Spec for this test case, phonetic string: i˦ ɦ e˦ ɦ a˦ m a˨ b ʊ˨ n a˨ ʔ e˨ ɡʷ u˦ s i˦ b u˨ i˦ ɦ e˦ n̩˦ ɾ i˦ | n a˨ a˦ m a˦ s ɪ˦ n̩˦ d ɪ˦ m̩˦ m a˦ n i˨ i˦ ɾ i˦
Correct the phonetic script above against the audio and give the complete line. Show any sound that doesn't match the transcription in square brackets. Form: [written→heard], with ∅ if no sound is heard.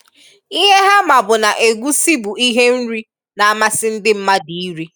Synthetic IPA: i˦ ɦ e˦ ɦ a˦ m a˨ b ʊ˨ n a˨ ʔ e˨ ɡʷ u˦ s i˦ b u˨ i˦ ɦ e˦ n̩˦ ɾ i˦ | n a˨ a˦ m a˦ s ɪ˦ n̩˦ d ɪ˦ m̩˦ m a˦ [n→d] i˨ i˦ ɾ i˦

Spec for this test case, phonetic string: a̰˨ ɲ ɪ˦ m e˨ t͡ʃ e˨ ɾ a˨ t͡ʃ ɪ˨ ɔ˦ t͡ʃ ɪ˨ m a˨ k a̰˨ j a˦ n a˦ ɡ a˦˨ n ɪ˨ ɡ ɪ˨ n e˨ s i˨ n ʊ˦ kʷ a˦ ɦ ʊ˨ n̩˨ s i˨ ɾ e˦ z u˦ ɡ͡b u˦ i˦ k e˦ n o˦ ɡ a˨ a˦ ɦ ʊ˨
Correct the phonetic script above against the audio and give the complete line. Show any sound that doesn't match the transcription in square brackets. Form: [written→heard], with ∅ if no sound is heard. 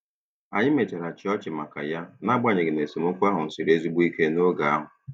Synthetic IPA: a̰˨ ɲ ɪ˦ m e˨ t͡ʃ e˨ ɾ a˨ t͡ʃ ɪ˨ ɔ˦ t͡ʃ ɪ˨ m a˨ k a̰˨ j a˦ n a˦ [ɡ→ɡ͡b] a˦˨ [n→ɲ] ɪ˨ ɡ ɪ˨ n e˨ s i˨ [n→m] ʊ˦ kʷ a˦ ɦ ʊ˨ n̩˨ s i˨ ɾ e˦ z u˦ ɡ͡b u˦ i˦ k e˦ n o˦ ɡ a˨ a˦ ɦ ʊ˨

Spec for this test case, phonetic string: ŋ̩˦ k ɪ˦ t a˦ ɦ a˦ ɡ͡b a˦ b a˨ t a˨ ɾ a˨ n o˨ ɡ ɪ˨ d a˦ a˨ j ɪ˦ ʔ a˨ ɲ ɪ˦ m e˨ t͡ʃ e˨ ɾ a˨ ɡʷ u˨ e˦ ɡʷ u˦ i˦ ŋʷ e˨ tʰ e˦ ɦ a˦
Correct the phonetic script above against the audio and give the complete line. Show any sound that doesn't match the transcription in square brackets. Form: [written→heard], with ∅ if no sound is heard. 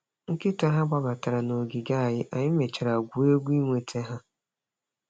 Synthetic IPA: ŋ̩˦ k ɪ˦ t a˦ ɦ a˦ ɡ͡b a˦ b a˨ t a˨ ɾ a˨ n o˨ ɡ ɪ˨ [d→ɡ] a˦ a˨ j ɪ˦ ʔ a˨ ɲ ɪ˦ m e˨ t͡ʃ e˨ ɾ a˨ ɡʷ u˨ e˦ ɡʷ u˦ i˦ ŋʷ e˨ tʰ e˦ ɦ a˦

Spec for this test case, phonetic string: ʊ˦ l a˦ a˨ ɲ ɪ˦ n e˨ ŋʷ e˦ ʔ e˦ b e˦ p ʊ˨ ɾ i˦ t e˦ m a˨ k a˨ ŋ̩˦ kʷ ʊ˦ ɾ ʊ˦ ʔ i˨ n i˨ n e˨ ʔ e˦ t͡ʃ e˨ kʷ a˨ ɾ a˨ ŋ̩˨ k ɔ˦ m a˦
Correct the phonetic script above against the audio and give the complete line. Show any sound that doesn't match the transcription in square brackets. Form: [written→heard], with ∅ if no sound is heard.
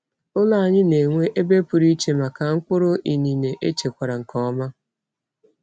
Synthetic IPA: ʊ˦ l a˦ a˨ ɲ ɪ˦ n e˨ ŋʷ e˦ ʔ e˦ b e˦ p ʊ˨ ɾ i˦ [t→t͡ʃ] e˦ m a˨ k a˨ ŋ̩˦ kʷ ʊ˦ ɾ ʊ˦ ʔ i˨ n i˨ n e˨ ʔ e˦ t͡ʃ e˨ kʷ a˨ ɾ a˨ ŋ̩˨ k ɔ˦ m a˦

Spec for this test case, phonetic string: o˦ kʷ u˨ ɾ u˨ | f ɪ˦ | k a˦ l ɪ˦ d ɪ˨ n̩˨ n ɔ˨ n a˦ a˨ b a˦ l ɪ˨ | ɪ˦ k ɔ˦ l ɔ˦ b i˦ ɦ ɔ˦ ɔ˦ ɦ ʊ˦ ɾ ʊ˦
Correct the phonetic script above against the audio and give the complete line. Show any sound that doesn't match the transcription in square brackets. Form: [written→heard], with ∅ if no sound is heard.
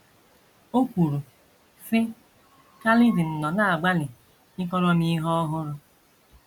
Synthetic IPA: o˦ kʷ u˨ ɾ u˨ | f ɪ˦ | k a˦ l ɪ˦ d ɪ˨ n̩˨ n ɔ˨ n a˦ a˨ [b→ɡ͡b] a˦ l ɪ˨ | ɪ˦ k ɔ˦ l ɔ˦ [b→m] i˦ ɦ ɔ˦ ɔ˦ ɦ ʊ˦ ɾ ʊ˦

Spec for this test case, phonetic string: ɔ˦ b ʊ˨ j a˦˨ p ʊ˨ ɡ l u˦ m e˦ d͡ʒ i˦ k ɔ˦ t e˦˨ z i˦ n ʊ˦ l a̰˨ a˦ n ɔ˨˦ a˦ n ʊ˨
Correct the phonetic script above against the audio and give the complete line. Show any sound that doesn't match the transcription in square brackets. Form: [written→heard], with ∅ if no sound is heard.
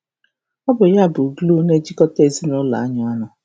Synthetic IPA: ɔ˦ b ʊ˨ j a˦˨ [p→b] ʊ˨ ɡ l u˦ [m→n] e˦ d͡ʒ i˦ k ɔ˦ t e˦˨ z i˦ n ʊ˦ l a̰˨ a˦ [n→ɲ] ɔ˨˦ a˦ n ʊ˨

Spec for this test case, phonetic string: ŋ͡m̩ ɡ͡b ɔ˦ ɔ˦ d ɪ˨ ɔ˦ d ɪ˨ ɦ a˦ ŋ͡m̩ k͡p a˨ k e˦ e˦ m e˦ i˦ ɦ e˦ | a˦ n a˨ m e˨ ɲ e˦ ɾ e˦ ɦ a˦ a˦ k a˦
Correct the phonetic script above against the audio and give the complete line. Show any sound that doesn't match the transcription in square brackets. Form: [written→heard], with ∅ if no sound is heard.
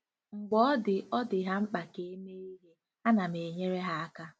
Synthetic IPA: ŋ͡m̩ ɡ͡b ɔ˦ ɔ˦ d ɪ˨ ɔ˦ d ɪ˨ ɦ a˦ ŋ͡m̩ k͡p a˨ k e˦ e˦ m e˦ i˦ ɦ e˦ | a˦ n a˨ m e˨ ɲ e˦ ɾ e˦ ɦ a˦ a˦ k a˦

